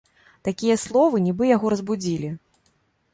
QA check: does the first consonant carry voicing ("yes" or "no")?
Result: no